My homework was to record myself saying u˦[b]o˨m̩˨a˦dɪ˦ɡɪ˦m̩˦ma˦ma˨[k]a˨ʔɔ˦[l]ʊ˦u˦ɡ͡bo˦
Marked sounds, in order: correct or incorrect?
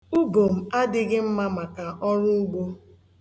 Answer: incorrect: ɡ, correct, incorrect: ɾ

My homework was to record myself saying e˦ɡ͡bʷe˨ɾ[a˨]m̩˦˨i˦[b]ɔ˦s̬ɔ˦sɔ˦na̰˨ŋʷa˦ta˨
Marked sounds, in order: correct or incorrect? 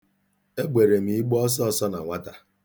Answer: incorrect: e˨, incorrect: ɡ͡b

